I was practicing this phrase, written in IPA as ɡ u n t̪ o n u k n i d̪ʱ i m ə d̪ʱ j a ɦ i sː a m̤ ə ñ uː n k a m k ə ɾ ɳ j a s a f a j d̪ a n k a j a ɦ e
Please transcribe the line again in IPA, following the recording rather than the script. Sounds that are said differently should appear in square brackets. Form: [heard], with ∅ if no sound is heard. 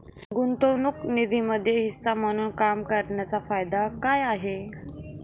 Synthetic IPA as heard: ɡ u n t̪ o n u k n i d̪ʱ i m ə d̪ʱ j [e] ɦ i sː a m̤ ə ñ uː n k a m k ə ɾ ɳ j a [t͡s] a f a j d̪ a [∅] k a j a ɦ e